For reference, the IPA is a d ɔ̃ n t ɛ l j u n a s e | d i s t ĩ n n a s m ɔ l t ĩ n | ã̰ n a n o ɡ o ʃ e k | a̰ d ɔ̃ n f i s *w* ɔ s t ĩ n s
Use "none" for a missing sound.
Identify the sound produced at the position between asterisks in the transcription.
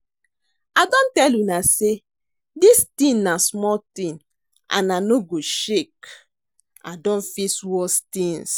w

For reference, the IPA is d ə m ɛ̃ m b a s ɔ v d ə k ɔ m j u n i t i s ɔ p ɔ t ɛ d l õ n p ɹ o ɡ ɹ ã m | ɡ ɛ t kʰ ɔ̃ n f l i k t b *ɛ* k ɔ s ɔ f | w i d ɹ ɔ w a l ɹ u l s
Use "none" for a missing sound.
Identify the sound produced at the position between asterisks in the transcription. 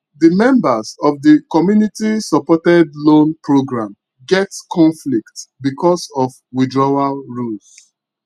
i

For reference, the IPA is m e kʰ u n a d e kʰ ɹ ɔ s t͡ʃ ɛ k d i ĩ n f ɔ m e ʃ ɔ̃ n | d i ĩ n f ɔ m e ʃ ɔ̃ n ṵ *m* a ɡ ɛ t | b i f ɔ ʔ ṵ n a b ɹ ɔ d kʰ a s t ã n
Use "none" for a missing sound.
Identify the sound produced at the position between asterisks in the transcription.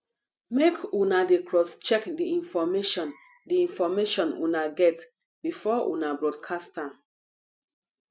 n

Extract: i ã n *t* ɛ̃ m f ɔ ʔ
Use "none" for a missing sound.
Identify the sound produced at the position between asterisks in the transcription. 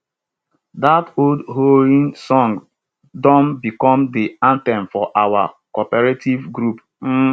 t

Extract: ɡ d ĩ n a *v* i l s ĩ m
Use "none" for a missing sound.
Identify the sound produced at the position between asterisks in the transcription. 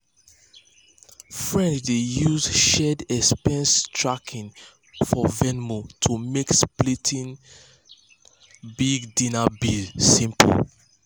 b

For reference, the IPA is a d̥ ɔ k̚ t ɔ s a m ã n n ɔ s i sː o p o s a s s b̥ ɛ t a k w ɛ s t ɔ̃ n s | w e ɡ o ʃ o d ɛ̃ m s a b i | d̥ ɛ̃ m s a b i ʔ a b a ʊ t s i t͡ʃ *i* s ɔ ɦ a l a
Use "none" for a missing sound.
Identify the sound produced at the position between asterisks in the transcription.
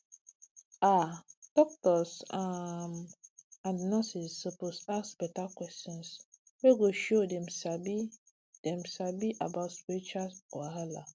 a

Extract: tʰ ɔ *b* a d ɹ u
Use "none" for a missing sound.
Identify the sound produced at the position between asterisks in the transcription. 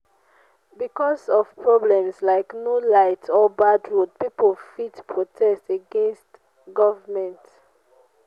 b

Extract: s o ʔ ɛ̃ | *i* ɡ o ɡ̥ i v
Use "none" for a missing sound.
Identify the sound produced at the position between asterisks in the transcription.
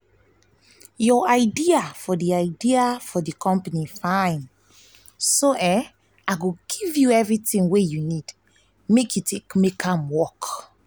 a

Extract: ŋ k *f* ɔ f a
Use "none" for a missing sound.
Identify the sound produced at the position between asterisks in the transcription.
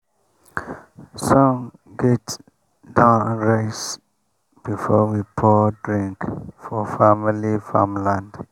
f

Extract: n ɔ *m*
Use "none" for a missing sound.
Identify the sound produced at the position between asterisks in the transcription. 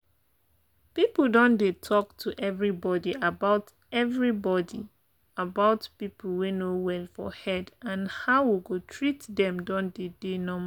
m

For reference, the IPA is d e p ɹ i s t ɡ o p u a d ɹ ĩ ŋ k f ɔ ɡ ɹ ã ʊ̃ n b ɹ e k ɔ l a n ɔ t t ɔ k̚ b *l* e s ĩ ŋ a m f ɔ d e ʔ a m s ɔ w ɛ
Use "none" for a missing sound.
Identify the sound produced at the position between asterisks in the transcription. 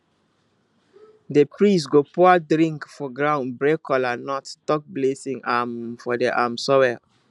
l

